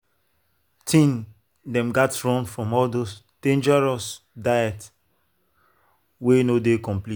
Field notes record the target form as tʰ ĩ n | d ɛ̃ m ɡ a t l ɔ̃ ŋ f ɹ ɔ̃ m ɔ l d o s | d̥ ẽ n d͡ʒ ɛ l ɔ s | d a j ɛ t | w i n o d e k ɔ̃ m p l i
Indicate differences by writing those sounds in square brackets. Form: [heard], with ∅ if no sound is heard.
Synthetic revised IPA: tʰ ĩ n | d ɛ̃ m ɡ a t [ɹ] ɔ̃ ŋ f ɹ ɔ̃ m ɔ l d o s | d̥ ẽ n d͡ʒ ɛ [ɹ] ɔ s | d a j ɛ t | w [e] n o d e k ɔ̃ m p l i

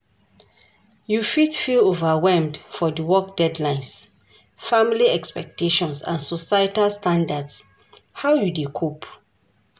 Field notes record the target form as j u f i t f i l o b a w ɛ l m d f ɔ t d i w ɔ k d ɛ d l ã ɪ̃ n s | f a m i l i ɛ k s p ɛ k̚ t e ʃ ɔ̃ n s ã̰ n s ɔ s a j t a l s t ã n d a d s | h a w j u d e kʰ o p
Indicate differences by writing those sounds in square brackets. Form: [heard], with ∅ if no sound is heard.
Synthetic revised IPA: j u f i t f i l o [v] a w ɛ l m d f ɔ [∅] d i w ɔ k d ɛ d l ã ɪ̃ n s | f a m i l i ɛ k s p ɛ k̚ t e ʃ ɔ̃ n s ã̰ n s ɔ s a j t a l s t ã n d a d s | h a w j u d e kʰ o p

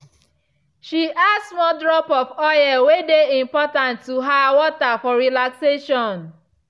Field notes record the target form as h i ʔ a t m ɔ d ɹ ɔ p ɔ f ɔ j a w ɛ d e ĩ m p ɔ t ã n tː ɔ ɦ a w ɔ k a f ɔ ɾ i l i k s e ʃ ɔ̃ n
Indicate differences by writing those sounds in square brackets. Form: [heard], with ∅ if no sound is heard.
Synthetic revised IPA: [ʃ] i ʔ a [s] m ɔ d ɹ ɔ p ɔ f ɔ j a w [e] d e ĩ m p ɔ t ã n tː [u] ɦ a w ɔ [t] a f ɔ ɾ i l [a] k s e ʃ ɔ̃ n

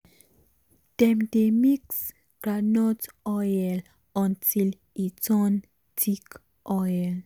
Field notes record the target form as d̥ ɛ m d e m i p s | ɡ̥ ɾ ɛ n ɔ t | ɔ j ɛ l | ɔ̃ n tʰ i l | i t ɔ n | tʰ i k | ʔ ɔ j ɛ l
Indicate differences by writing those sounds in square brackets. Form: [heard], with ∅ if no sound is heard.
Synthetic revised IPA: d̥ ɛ m d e m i [k] s | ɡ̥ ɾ [a] n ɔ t | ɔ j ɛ l | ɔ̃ n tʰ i l | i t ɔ n | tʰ i k | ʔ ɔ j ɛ l

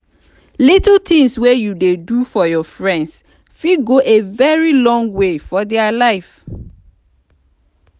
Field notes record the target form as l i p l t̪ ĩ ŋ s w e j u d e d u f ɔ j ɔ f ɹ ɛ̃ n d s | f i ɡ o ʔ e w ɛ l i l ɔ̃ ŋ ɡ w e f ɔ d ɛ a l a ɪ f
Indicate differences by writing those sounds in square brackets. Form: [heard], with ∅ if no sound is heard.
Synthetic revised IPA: l i [t] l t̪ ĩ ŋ s w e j u d e d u f ɔ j ɔ f ɹ ɛ̃ n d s | f i ɡ o ʔ e [v] ɛ [ɹ] i l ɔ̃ ŋ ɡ w e f ɔ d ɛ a l a ɪ f

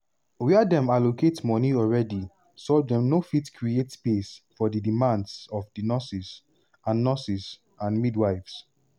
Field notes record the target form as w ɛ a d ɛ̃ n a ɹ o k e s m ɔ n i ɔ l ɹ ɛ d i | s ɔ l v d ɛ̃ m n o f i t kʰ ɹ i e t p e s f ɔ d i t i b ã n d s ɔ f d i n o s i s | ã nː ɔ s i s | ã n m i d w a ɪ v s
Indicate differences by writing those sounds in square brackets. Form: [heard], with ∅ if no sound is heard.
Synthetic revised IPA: w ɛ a d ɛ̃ [m] a [l] o k e [t] m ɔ n i ɔ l ɹ ɛ d i | s ɔ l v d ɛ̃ m n o f i t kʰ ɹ i e t p e s f ɔ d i [d] i [m] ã n d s ɔ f d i n [ɔ] s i s | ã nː ɔ s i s | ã n m i d w a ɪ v s

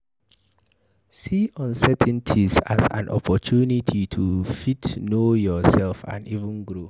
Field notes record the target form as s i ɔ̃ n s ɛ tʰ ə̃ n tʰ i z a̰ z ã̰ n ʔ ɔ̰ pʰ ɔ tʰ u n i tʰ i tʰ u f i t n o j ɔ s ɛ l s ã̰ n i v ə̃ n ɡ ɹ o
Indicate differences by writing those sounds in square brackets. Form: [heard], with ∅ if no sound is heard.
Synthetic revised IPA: s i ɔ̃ n s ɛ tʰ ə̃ n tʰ i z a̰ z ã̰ n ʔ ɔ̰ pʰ ɔ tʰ u n i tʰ i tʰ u f i t n o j ɔ s ɛ l [f] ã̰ n i v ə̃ n ɡ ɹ o

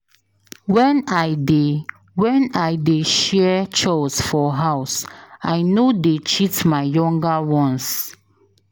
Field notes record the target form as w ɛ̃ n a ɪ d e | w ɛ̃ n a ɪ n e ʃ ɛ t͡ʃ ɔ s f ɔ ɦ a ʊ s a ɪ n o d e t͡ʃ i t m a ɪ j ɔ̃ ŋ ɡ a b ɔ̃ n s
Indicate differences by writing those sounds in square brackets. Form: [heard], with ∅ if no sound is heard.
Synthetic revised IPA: w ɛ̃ n a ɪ d e | w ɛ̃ n a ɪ [d] e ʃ ɛ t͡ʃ ɔ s f ɔ ɦ a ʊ s a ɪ n o d e t͡ʃ i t m a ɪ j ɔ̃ ŋ ɡ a [w] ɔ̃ n s

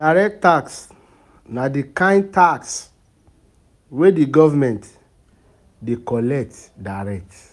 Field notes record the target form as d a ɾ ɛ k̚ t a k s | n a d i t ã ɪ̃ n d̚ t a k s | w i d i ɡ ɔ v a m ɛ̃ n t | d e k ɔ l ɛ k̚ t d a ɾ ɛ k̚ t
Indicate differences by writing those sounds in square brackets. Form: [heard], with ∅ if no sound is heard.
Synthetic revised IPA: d a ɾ ɛ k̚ t a k s | n a d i [k] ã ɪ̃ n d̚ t a k s | w [e] d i ɡ ɔ v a m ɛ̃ n t | d e k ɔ l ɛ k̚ t d a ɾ ɛ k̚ t

